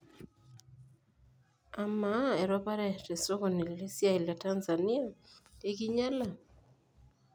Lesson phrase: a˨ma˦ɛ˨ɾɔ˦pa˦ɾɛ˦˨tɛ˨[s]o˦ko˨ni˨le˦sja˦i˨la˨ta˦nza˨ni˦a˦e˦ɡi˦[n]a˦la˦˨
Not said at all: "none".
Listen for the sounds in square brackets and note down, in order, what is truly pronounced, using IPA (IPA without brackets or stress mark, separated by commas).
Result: s, ɲ